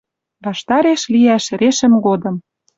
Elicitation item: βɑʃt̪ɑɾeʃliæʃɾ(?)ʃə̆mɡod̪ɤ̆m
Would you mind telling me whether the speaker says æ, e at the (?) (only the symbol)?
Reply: e